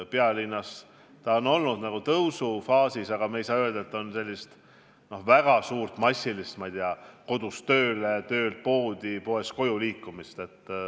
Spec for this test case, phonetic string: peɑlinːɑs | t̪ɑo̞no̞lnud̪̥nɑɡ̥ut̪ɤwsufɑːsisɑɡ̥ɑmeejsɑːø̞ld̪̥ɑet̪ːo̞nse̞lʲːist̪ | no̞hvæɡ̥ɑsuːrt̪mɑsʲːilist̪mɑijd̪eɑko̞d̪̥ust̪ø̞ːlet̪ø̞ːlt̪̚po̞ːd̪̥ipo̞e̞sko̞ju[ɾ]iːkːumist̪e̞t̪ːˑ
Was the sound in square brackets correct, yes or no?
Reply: no